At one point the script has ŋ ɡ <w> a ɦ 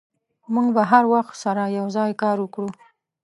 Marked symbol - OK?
no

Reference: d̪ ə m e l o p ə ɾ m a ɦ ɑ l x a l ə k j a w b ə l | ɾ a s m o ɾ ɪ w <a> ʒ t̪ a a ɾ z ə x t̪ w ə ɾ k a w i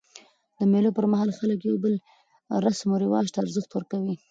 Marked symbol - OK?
no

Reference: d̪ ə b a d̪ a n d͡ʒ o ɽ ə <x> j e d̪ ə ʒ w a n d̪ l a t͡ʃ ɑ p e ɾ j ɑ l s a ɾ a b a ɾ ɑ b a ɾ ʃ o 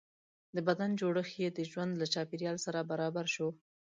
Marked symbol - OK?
yes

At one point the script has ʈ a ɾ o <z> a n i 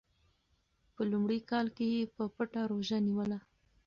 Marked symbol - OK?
no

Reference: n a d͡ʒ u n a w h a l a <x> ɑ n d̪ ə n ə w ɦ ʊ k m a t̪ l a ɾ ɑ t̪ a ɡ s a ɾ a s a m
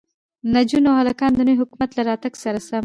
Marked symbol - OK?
no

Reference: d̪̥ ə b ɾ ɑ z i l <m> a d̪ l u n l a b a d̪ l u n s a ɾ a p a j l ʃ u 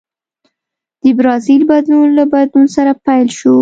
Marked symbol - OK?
no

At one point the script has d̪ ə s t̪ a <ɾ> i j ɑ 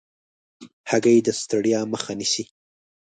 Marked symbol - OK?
no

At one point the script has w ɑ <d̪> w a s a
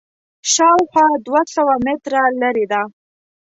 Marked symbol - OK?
yes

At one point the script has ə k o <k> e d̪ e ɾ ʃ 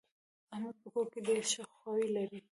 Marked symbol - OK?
yes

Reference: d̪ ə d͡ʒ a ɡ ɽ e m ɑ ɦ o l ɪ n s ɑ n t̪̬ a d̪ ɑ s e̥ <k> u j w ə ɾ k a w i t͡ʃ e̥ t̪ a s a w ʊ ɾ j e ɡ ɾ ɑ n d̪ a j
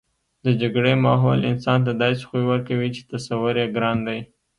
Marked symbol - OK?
no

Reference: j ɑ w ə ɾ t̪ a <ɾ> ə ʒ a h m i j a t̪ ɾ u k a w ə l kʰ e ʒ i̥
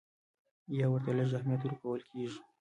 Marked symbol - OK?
no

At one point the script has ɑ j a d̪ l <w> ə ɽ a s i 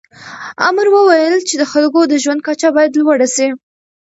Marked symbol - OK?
yes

